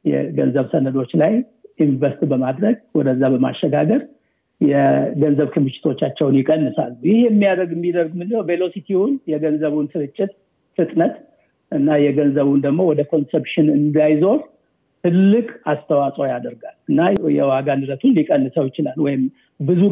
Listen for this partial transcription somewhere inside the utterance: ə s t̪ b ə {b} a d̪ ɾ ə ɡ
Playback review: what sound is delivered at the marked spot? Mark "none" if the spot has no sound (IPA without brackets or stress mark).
m